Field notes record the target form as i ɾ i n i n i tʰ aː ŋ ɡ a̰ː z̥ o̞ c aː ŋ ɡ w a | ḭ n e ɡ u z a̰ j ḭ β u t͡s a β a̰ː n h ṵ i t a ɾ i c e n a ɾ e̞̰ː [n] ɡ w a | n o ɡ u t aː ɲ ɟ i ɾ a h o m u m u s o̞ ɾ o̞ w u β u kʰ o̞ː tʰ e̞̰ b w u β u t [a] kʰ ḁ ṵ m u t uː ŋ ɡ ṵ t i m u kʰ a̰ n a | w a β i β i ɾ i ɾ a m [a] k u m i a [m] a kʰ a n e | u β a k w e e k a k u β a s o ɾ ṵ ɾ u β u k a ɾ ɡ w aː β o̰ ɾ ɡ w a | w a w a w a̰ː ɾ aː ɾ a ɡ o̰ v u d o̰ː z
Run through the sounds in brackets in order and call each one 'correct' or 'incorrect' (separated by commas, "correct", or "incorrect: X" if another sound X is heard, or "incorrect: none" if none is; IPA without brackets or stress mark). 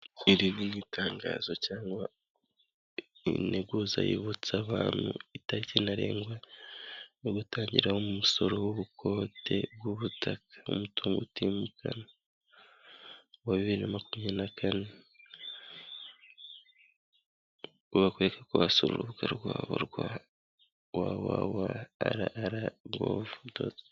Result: incorrect: ŋ, correct, correct, incorrect: n